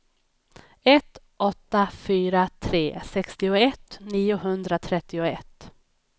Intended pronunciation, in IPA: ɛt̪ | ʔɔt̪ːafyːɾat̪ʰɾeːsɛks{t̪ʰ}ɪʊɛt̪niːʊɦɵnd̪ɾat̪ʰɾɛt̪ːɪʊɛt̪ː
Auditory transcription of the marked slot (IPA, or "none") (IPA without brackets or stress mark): t̪